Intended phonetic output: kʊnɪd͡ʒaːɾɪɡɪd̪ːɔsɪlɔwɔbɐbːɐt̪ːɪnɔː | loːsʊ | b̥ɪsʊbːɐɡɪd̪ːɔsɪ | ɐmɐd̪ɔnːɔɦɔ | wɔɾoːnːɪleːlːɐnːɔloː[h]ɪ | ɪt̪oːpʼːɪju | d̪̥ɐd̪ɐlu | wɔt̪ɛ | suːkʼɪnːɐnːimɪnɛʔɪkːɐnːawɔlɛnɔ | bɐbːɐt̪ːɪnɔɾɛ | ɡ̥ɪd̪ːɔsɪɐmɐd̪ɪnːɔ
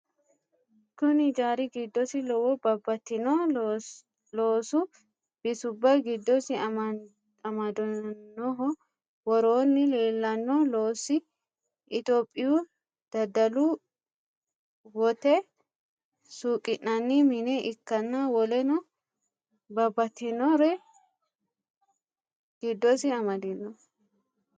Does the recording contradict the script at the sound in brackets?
yes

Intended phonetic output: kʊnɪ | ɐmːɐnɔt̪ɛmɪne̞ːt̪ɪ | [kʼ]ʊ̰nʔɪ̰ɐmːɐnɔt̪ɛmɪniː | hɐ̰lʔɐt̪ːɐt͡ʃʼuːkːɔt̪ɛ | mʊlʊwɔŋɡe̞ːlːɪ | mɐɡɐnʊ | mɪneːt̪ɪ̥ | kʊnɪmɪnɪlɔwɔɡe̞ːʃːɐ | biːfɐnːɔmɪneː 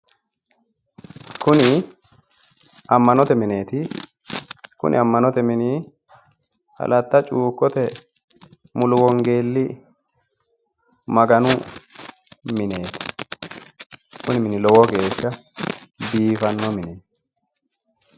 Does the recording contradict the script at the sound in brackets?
yes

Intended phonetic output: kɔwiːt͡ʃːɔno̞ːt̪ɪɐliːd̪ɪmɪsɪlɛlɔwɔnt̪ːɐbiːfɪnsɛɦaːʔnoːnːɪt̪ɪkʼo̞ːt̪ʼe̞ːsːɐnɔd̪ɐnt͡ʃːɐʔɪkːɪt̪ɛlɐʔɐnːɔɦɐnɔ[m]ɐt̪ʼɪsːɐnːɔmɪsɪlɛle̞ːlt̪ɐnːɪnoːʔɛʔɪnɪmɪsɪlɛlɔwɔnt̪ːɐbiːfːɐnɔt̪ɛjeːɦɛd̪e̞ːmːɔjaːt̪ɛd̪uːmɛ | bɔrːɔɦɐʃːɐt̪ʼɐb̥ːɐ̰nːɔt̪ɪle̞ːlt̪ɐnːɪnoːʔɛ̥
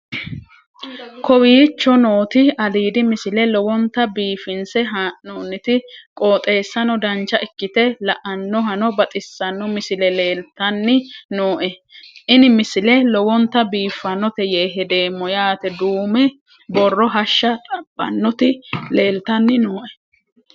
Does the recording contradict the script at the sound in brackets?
yes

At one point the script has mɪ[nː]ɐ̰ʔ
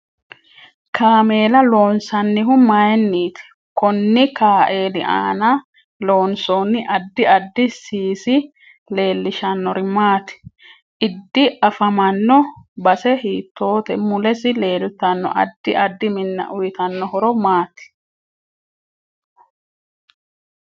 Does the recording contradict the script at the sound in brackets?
no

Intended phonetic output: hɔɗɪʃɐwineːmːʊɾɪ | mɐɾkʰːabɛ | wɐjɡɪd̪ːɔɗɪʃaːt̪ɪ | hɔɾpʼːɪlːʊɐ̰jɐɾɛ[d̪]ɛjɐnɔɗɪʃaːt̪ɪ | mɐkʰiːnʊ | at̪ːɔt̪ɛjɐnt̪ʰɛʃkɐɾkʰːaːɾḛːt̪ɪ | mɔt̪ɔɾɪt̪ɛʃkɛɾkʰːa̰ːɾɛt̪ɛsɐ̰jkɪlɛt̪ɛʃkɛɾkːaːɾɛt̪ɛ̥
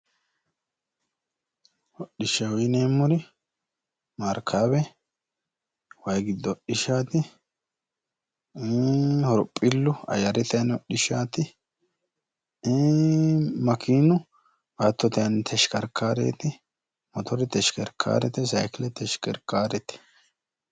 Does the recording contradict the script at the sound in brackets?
yes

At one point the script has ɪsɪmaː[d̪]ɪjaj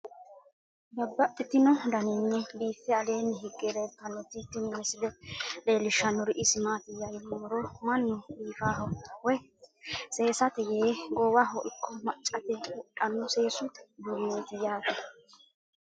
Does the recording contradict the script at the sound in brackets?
yes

